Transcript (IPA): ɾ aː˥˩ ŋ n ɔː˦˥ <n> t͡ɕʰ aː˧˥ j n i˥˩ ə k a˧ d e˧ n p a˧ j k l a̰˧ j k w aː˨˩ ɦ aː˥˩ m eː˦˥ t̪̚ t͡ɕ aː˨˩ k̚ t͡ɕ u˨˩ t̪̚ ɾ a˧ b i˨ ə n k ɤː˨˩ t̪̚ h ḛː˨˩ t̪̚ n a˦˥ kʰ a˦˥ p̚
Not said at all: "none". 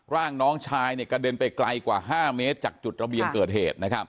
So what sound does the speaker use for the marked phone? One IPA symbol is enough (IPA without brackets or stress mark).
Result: ŋ